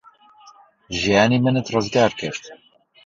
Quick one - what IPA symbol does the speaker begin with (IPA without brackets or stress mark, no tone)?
ʒ